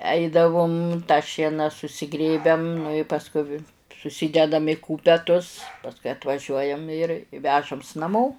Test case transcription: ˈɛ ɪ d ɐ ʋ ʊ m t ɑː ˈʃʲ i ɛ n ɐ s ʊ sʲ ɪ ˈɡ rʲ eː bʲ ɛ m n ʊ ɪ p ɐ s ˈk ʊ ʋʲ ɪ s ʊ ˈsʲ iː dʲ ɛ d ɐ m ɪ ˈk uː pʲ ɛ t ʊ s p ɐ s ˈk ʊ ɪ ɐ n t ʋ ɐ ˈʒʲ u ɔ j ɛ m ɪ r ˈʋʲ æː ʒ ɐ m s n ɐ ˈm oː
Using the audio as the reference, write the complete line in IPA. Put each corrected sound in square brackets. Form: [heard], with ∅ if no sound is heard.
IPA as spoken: ˈɛ ɪ d ɐ ʋ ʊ m t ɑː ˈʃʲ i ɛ n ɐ s ʊ sʲ ɪ ˈɡ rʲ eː bʲ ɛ m n ʊ ɪ p ɐ s ˈk ʊ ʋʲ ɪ s ʊ ˈsʲ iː dʲ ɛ d ɐ m ɪ ˈk uː pʲ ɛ t ʊ s p ɐ s ˈk ʊ ɪ ɐ [∅] t ʋ ɐ ˈʒʲ u ɔ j ɛ m ɪ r ˈʋʲ æː ʒ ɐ m s n ɐ ˈm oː

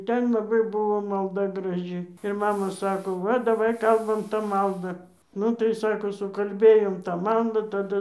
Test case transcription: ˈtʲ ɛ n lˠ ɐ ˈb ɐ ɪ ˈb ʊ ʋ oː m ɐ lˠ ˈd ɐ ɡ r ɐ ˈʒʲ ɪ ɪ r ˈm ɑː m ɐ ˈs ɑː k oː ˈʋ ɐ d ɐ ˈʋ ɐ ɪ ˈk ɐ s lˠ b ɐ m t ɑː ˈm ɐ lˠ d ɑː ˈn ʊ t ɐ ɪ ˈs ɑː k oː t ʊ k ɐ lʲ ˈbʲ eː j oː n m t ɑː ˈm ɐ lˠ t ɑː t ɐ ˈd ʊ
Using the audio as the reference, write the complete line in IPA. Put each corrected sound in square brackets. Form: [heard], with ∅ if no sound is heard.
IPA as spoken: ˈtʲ ɛ n lˠ ɐ ˈb ɐ ɪ ˈb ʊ ʋ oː m ɐ lˠ ˈd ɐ ɡ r ɐ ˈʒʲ ɪ ɪ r ˈm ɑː m ɐ ˈs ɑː k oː ˈʋ ɐ d ɐ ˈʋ ɐ ɪ ˈk ɐ [∅] lˠ b ɐ m t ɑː ˈm ɐ lˠ d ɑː ˈn ʊ t ɐ ɪ ˈs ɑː k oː [s] ʊ k ɐ lʲ ˈbʲ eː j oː [∅] m t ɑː ˈm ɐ lˠ [d] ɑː t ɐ ˈd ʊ

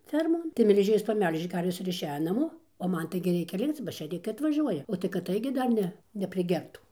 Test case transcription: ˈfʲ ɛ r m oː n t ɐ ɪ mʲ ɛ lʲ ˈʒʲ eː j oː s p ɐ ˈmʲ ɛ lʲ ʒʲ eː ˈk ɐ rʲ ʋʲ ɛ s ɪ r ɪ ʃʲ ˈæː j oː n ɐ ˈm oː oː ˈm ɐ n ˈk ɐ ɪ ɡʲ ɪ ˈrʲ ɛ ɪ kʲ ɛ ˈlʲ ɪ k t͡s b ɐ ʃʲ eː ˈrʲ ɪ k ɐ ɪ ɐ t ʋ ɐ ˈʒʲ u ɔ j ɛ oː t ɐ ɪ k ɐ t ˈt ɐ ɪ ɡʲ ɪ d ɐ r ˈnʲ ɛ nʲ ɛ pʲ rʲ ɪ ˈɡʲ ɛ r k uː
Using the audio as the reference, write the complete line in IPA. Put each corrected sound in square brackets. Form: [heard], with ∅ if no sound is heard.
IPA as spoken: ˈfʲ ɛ r m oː n t ɐ ɪ mʲ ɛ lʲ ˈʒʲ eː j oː s p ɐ ˈmʲ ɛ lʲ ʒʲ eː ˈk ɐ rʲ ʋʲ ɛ s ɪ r ɪ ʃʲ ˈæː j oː n ɐ ˈm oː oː ˈm ɐ n [ˈt] ɐ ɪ ɡʲ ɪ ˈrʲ ɛ ɪ kʲ ɛ ˈlʲ ɪ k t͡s b ɐ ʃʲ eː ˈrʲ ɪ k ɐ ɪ ɐ t ʋ ɐ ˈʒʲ u ɔ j ɛ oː t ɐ ɪ k ɐ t ˈt ɐ ɪ ɡʲ ɪ d ɐ r ˈnʲ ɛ nʲ ɛ pʲ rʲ ɪ ˈɡʲ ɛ r [t] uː

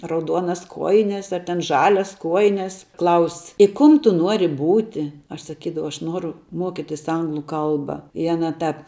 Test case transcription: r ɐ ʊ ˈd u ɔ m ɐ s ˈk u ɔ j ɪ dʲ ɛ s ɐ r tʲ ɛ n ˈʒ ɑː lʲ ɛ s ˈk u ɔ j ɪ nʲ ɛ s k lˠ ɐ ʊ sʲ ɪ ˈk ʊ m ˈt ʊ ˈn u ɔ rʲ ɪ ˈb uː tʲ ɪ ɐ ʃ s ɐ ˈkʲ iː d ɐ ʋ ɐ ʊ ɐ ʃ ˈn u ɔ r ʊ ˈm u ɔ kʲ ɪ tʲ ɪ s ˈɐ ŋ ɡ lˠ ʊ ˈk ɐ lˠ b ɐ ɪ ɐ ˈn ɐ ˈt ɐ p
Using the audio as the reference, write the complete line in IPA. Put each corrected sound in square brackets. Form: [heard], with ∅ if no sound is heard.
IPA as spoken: r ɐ ʊ ˈd u ɔ [n] ɐ s ˈk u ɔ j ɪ [nʲ] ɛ s ɐ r tʲ ɛ n ˈʒ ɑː lʲ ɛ s ˈk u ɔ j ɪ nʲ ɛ s k lˠ ɐ ʊ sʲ ɪ ˈk ʊ m ˈt ʊ ˈn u ɔ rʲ ɪ ˈb uː tʲ ɪ ɐ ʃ s ɐ ˈkʲ iː d ɐ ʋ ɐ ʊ ɐ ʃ ˈn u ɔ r ʊ ˈm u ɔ kʲ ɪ tʲ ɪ s ˈɐ ŋ ɡ lˠ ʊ ˈk ɐ lˠ b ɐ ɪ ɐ ˈn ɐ ˈt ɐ p

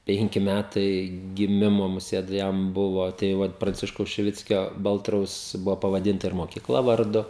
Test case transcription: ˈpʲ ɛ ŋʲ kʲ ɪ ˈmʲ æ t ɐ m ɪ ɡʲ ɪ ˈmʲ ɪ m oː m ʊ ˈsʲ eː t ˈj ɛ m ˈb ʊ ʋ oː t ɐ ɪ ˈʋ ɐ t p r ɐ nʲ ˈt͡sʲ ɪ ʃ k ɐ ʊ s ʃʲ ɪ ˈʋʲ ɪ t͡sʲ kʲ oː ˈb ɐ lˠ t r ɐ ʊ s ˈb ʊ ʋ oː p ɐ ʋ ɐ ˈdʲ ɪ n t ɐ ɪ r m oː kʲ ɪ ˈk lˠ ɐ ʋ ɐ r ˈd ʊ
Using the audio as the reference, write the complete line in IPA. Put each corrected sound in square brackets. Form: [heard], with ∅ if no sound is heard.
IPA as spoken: ˈpʲ ɛ ŋʲ kʲ ɪ ˈmʲ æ t ɐ [∅] ɪ ɡʲ ɪ ˈmʲ ɪ m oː m ʊ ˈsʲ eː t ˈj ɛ m ˈb ʊ ʋ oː t ɐ ɪ ˈʋ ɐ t p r ɐ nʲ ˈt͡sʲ ɪ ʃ k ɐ ʊ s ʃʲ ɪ ˈʋʲ ɪ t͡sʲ kʲ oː ˈb ɐ lˠ t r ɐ ʊ s ˈb ʊ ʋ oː p ɐ ʋ ɐ ˈdʲ ɪ n t ɐ ɪ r m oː kʲ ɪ ˈk lˠ ɐ ʋ ɐ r ˈd ʊ

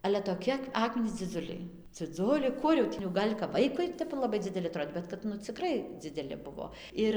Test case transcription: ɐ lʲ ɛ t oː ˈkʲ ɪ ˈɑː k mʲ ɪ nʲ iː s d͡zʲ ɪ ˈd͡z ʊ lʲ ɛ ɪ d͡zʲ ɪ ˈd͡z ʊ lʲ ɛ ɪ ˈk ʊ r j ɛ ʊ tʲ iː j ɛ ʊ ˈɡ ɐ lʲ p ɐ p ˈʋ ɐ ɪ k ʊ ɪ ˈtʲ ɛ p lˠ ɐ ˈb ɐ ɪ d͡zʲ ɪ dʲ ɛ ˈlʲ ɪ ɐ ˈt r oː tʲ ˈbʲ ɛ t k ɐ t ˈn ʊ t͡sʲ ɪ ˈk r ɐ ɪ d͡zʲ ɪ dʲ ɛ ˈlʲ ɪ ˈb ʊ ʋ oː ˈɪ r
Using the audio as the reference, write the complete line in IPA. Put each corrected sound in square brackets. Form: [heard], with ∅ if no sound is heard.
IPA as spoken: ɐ lʲ ɛ t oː ˈkʲ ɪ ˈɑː k mʲ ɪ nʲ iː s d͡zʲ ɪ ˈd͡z ʊ lʲ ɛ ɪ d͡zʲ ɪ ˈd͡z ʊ lʲ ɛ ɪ ˈk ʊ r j ɛ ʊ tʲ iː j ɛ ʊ ˈɡ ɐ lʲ [k] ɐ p ˈʋ ɐ ɪ k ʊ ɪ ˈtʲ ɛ p lˠ ɐ ˈb ɐ ɪ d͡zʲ ɪ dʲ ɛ ˈlʲ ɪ ɐ ˈt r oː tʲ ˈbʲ ɛ t k ɐ t ˈn ʊ t͡sʲ ɪ ˈk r ɐ ɪ d͡zʲ ɪ dʲ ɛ ˈlʲ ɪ ˈb ʊ ʋ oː ˈɪ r

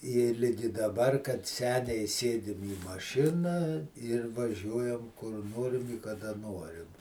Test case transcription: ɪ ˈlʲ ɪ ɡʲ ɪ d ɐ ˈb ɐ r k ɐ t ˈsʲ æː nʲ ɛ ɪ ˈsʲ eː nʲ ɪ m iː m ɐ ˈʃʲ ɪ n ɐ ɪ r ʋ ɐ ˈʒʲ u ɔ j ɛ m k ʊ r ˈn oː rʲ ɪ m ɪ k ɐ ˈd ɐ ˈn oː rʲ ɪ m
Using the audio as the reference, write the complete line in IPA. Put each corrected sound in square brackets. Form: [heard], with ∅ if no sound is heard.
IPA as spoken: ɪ ˈlʲ ɪ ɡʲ ɪ d ɐ ˈb ɐ r k ɐ t ˈsʲ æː nʲ ɛ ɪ ˈsʲ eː [dʲ] ɪ m iː m ɐ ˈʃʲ ɪ n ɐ ɪ r ʋ ɐ ˈʒʲ u ɔ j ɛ m k ʊ r ˈn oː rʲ ɪ m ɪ k ɐ ˈd ɐ ˈn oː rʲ ɪ m

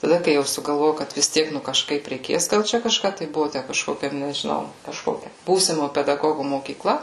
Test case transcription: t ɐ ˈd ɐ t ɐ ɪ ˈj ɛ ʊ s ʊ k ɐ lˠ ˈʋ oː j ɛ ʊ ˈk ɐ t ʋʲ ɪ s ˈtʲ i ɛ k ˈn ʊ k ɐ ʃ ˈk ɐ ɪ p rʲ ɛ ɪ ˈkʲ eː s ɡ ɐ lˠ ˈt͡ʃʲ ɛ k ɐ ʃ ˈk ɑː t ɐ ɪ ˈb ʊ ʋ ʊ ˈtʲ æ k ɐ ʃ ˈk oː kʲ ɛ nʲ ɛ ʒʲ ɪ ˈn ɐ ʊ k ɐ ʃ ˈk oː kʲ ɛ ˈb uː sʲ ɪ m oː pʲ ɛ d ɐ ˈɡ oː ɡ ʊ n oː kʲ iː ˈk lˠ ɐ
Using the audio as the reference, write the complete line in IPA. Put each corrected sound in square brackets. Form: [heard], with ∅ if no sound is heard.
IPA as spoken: t ɐ ˈd ɐ [k] ɐ ɪ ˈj ɛ ʊ s ʊ [ɡ] ɐ lˠ ˈʋ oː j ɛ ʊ ˈk ɐ t ʋʲ ɪ s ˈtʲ i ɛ k ˈn ʊ k ɐ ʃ ˈk ɐ ɪ p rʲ ɛ ɪ ˈkʲ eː s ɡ ɐ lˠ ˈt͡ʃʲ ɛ k ɐ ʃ ˈk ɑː t ɐ ɪ ˈb ʊ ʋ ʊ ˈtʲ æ k ɐ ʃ ˈk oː kʲ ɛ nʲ ɛ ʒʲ ɪ ˈn ɐ ʊ k ɐ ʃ ˈk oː kʲ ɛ ˈb uː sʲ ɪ m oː pʲ ɛ d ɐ ˈɡ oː ɡ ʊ [m] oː kʲ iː ˈk lˠ ɐ

